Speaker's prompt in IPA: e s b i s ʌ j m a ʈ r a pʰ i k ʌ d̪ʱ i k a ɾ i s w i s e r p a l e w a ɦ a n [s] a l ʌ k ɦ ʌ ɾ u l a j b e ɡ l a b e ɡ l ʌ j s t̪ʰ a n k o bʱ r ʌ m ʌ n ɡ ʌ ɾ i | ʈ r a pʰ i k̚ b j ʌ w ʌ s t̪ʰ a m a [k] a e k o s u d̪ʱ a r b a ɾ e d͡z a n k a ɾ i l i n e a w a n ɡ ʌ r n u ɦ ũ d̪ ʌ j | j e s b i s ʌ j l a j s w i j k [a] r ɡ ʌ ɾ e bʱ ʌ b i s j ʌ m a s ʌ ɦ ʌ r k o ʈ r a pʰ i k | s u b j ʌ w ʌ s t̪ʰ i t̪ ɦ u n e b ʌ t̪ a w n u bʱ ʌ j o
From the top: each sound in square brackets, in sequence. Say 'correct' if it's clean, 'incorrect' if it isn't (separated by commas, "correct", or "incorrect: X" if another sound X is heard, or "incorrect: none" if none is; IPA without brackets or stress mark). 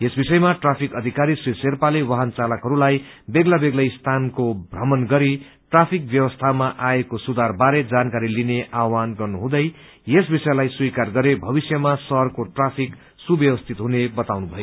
incorrect: t͡s, incorrect: ʔ, correct